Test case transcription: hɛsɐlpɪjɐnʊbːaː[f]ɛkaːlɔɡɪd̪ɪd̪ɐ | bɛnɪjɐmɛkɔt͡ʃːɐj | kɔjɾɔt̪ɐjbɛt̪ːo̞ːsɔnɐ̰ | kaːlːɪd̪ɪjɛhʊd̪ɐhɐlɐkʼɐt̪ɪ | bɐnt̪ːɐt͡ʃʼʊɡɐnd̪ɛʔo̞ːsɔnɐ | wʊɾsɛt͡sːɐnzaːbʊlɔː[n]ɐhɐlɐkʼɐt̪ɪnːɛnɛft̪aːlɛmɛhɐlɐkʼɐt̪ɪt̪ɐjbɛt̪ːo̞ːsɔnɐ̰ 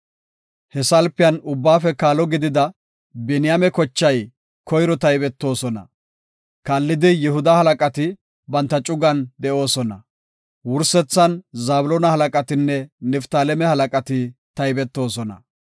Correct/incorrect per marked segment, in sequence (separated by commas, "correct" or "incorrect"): correct, correct